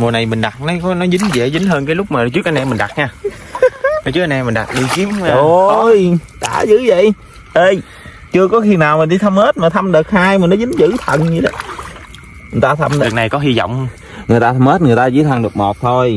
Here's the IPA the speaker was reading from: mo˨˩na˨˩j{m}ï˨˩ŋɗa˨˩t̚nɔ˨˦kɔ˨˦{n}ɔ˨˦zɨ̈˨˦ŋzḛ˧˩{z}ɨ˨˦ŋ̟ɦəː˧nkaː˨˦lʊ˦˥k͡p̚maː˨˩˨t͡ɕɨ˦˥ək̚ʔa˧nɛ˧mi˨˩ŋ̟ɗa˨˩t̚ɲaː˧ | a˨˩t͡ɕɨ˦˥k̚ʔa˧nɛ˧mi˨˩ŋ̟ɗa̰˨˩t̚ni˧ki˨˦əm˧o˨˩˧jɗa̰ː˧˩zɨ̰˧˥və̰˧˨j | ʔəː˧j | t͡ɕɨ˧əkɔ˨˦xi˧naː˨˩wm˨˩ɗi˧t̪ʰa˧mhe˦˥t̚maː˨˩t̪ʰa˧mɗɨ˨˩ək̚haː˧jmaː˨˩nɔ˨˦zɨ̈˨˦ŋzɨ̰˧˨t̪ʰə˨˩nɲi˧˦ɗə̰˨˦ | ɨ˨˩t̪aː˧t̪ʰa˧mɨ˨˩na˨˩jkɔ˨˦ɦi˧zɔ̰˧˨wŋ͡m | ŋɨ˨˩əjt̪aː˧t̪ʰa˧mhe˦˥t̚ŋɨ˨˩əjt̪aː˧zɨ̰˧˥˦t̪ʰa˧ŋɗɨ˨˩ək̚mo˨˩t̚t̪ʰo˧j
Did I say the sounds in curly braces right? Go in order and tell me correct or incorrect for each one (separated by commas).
correct, correct, correct